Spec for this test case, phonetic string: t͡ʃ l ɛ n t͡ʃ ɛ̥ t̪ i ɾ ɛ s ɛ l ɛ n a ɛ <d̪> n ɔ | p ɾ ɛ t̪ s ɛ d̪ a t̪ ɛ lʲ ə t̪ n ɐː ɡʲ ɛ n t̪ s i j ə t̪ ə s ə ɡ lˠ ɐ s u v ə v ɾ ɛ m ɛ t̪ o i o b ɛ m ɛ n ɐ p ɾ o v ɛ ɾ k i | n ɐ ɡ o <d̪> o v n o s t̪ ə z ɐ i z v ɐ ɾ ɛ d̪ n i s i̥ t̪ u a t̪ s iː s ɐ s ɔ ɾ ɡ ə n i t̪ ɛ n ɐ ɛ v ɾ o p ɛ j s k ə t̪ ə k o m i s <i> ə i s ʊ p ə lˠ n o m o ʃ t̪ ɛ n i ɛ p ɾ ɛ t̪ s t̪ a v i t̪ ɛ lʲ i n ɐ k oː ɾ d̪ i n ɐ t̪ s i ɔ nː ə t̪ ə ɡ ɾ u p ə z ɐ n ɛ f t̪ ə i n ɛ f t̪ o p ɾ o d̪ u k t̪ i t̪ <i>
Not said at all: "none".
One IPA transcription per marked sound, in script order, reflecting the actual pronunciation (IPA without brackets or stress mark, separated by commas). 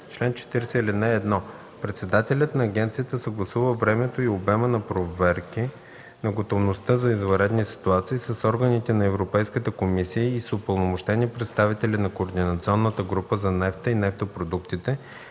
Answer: d̪, t̪, i, ɛ